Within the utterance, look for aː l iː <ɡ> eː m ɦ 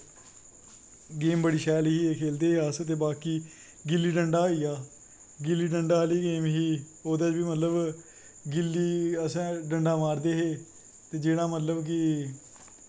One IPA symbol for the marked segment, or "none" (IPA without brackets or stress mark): ɡ